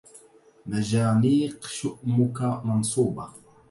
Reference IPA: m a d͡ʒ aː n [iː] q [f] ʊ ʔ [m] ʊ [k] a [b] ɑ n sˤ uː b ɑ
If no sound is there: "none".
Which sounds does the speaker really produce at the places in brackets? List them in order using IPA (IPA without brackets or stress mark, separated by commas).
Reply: iː, ʃ, m, k, m